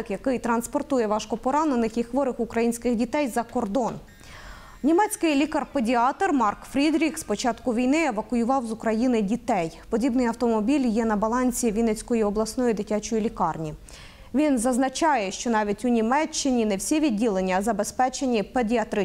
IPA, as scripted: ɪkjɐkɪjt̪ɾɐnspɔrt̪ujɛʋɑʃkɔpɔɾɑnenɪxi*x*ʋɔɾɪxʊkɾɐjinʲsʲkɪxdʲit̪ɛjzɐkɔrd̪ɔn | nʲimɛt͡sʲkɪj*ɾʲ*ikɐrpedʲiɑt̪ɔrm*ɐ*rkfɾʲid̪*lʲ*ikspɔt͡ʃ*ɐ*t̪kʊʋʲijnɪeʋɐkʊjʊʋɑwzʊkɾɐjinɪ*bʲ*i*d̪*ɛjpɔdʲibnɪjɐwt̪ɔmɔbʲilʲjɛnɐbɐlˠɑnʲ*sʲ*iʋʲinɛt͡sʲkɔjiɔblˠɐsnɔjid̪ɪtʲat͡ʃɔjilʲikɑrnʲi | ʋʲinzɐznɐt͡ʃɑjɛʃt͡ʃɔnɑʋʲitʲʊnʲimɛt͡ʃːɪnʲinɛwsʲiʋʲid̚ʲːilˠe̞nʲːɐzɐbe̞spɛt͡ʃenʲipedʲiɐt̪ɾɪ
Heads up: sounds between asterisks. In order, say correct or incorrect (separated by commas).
correct, incorrect, incorrect, incorrect, incorrect, incorrect, incorrect, correct